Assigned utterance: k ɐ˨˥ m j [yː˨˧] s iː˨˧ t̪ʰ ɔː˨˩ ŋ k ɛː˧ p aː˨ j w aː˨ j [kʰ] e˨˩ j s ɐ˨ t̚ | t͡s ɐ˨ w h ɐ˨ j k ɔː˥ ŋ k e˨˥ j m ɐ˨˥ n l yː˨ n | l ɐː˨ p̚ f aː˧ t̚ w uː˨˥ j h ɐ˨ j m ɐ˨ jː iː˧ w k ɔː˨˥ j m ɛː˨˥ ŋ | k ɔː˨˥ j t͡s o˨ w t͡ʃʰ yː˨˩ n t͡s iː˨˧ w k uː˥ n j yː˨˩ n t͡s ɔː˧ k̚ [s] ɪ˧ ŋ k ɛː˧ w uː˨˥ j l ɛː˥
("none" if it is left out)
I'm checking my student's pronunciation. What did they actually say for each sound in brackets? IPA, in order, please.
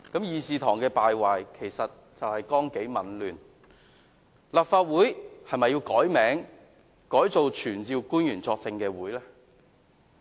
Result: iː˨˧, kʰ, t͡s

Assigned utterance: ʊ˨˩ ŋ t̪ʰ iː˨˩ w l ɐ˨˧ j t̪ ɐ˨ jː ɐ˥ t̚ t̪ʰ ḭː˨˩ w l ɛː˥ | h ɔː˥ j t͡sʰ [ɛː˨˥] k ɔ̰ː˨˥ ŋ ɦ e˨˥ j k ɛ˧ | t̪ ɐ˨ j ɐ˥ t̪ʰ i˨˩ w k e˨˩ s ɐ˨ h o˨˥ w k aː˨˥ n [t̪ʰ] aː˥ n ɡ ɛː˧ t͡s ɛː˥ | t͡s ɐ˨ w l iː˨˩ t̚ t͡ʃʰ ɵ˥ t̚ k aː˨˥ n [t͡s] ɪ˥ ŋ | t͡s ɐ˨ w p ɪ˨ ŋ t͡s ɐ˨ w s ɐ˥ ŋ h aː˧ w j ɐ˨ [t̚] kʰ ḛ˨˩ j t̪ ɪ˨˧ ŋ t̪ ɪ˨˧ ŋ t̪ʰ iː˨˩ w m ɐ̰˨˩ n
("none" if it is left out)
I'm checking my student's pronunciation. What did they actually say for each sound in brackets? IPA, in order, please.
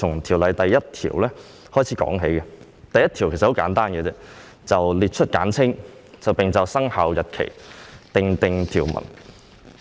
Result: iː˨˥, t̪, t͡sʰ, t̚

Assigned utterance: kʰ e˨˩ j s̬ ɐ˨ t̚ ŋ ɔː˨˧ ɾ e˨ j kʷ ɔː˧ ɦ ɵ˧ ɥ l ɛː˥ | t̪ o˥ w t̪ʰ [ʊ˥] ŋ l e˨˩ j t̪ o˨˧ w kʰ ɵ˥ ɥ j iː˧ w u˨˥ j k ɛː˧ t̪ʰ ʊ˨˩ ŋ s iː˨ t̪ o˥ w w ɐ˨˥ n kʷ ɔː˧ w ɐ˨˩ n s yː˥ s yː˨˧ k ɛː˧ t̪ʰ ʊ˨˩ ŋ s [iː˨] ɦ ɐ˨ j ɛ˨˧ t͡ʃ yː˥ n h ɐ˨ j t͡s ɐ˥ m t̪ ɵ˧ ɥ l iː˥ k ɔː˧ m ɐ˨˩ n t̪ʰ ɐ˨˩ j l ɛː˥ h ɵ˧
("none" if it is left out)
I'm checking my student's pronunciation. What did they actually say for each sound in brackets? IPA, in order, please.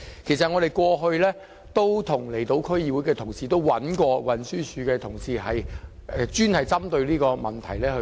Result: ʊ˨˩, iː˨

